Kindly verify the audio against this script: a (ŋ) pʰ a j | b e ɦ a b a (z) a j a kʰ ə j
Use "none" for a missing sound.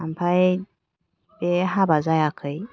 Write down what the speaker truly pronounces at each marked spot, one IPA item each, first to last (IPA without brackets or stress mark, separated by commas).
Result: m, z